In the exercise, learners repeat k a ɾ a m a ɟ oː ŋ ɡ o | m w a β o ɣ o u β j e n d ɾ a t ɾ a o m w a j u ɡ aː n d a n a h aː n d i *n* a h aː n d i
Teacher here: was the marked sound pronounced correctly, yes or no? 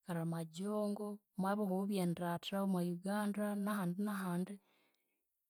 yes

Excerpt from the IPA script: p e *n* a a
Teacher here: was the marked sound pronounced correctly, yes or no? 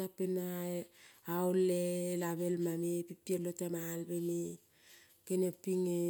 yes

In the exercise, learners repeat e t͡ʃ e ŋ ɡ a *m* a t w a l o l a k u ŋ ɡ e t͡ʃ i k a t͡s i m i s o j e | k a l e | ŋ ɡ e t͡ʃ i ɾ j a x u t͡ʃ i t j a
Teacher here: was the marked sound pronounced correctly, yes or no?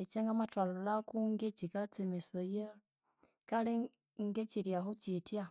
yes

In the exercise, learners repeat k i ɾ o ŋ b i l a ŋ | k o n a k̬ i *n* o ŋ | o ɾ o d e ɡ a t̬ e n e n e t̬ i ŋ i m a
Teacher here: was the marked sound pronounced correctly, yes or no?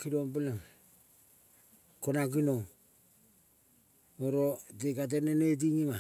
yes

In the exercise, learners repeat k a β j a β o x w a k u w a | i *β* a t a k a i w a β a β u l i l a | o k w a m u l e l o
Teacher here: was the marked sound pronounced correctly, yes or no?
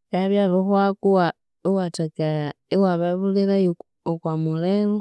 no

